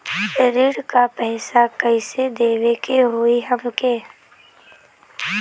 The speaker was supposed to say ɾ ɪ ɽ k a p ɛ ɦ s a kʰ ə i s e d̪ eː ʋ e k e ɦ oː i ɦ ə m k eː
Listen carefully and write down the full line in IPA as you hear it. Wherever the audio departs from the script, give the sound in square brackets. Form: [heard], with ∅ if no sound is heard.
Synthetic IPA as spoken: ɾ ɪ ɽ k a p ɛ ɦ s a [k] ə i s e d̪ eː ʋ e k e ɦ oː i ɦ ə m k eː

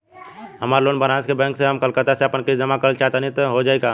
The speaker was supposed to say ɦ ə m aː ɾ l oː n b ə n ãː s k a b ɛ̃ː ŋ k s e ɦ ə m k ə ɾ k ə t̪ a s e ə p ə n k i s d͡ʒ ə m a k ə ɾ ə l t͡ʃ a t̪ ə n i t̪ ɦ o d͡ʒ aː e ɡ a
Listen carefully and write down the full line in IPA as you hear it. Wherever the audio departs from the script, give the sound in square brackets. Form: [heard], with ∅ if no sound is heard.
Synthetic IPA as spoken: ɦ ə m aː ɾ l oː n b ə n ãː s k [e] b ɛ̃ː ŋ k s e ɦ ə m k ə [l] k ə t̪ a s e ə p ə n k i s d͡ʒ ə m a k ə ɾ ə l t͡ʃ a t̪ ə n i t̪ ɦ o d͡ʒ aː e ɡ a

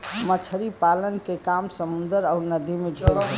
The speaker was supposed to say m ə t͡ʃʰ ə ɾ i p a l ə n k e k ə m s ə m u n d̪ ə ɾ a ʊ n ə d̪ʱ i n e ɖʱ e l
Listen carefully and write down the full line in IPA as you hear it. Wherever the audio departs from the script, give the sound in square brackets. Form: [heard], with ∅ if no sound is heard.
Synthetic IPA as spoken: m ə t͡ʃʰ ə ɾ i p a l ə n k e k [a] m s ə m u n d̪ ə ɾ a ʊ n ə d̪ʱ i [m] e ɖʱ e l

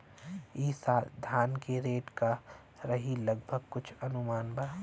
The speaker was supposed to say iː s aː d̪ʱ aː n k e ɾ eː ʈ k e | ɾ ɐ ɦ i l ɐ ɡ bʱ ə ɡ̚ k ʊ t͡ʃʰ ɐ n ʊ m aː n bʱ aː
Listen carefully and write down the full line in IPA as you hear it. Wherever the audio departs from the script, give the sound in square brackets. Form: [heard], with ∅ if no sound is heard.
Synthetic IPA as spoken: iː s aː d̪ʱ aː n k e ɾ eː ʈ k [a] | ɾ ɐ ɦ i l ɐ ɡ bʱ ə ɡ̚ k ʊ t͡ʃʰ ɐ n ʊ m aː n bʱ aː

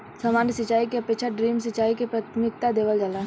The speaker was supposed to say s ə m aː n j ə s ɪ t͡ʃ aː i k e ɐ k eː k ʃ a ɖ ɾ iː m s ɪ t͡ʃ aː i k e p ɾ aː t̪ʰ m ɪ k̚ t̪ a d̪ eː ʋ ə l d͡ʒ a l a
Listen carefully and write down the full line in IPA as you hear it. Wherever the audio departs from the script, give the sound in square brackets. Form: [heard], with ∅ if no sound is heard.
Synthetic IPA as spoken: s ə m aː n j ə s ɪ t͡ʃ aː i k e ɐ [p] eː k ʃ a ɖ ɾ iː m s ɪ t͡ʃ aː i k e p ɾ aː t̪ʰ m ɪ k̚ t̪ a d̪ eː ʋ ə l d͡ʒ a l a

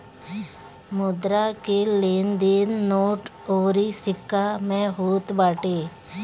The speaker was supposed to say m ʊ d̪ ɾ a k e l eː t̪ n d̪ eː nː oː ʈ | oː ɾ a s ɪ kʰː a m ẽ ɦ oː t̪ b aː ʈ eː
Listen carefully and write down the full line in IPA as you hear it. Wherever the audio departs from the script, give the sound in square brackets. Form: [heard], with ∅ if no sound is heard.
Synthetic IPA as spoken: m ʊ d̪ ɾ a k e l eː [∅] n d̪ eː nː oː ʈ | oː ɾ [i] s ɪ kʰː a m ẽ ɦ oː t̪ b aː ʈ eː

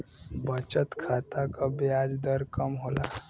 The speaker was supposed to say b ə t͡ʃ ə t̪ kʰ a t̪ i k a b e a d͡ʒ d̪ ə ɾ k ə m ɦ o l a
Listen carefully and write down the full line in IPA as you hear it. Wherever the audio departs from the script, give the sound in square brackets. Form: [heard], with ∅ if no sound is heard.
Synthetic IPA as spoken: b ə t͡ʃ ə t̪ kʰ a t̪ [a] k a b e a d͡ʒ d̪ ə ɾ k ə m ɦ o l a

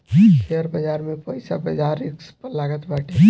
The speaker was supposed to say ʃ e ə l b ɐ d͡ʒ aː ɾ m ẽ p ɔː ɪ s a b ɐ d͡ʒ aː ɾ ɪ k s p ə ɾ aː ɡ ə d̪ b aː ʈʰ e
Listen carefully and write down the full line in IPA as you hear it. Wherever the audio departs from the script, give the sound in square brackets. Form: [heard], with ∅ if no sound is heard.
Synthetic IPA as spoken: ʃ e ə [ɾ] b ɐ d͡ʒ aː ɾ m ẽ p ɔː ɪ s a b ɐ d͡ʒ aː ɾ ɪ k s p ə [l] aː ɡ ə [t̪] b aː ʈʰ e

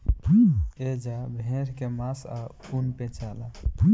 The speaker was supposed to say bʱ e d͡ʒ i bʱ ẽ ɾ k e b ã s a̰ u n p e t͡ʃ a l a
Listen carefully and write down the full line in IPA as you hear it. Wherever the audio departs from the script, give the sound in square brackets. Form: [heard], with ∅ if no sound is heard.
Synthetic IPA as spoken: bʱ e d͡ʒ [a] bʱ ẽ ɾ k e [m] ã s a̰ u n p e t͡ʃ a l a

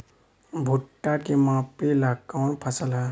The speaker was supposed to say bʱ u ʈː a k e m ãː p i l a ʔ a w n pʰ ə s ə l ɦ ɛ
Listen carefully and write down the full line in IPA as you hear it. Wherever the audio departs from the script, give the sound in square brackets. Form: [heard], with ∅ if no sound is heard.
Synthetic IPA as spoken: bʱ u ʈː a k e m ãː p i l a [k] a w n pʰ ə s ə l ɦ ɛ

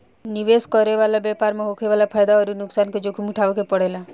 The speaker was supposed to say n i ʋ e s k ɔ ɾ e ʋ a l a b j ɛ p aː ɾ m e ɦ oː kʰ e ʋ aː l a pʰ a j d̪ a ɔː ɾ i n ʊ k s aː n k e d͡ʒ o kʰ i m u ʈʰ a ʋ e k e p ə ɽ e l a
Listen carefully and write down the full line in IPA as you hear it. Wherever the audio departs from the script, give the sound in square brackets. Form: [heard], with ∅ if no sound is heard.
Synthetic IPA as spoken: n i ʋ e s k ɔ ɾ e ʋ a l a b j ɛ p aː ɾ m e ɦ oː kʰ e ʋ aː l a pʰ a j d̪ a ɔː ɾ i n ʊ k s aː n k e d͡ʒ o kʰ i m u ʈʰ a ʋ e k e p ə ɽ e l a

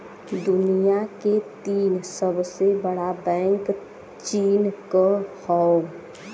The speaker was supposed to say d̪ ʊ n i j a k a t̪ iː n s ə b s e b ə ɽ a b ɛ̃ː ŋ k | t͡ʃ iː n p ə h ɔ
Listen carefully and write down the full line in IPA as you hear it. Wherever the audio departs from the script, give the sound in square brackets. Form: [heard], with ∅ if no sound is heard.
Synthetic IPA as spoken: d̪ ʊ n i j a k [e] t̪ iː n s ə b s e b ə ɽ a b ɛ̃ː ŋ k | t͡ʃ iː n [k] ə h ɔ

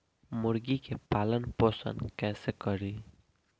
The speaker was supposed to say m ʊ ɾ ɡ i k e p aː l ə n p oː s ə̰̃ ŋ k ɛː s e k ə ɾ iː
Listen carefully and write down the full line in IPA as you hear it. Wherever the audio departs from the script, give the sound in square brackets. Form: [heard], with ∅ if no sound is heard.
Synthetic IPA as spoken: m ʊ ɾ ɡ i k e p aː l ə n p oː s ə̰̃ [n] k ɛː s e k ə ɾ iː

